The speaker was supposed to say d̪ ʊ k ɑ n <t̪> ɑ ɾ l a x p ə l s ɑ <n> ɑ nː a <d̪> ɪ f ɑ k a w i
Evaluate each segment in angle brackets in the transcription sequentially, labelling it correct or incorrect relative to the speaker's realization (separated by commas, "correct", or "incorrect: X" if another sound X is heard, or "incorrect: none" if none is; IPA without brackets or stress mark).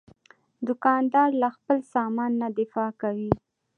incorrect: d̪, incorrect: m, correct